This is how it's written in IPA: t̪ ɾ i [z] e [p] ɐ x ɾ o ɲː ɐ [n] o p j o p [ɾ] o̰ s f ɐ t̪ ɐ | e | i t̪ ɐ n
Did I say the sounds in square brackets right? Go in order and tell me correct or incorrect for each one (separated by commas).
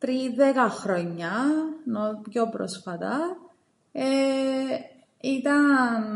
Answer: incorrect, incorrect, correct, correct